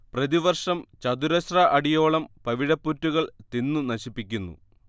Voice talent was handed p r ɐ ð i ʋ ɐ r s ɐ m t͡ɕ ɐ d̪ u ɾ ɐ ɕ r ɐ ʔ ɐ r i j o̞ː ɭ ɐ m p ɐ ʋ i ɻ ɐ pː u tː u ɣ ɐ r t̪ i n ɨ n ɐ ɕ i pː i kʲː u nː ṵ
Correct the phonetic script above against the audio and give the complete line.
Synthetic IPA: p r ɐ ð i ʋ ɐ r ʂ ɐ m t͡ɕ ɐ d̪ u ɾ ɐ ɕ r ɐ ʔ ɐ ɽ i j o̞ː ɭ ɐ m p ɐ ʋ i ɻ ɐ pː u tː u ɣ ɐ ɭ t̪ i nː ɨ n ɐ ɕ i pː i kʲː u nː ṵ